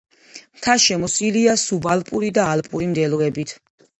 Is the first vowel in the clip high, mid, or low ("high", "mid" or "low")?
low